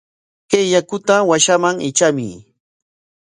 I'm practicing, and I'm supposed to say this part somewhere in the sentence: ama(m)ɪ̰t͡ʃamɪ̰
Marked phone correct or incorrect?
incorrect